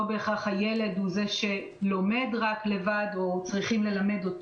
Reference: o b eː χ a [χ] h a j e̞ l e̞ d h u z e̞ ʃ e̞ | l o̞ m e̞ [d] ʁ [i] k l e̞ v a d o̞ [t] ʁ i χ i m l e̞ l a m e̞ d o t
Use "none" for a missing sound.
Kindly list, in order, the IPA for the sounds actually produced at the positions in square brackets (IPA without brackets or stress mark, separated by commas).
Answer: χ, d, a, t͡s